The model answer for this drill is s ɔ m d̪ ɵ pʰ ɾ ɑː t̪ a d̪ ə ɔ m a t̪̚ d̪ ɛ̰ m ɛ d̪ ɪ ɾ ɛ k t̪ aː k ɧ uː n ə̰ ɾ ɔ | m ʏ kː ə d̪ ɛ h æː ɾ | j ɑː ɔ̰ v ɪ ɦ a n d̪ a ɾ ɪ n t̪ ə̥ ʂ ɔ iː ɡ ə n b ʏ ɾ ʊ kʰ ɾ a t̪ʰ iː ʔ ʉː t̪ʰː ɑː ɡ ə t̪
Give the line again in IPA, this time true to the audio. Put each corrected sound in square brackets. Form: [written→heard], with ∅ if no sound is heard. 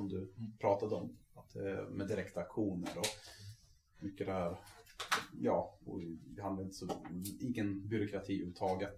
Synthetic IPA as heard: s ɔ m d̪ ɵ pʰ ɾ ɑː t̪ a d̪ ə ɔ m a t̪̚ d̪ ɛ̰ m ɛ d̪ ɪ ɾ ɛ k t̪ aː k ɧ uː n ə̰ ɾ ɔ | m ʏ kː ə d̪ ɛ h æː ɾ | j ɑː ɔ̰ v ɪ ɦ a n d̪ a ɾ ɪ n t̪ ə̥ [ʂ→s] ɔ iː ɡ ə n b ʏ ɾ ʊ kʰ ɾ a t̪ʰ iː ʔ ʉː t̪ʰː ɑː ɡ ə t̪